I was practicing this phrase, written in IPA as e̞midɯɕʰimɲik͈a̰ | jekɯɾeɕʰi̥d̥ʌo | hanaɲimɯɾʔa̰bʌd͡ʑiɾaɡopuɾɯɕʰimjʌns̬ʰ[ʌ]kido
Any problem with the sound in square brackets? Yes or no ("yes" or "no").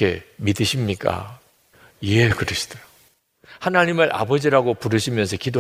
no